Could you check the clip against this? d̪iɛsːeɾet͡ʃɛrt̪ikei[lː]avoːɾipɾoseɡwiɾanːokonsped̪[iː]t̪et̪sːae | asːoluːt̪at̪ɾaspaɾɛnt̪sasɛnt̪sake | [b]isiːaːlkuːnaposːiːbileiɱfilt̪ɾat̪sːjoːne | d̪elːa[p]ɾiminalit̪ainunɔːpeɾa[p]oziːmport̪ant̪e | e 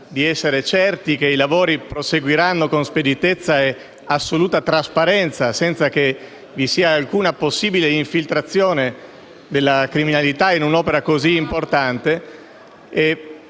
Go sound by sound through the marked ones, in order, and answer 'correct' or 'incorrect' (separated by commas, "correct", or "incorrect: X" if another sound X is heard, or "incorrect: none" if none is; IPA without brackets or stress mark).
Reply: incorrect: l, incorrect: i, incorrect: v, incorrect: k, incorrect: k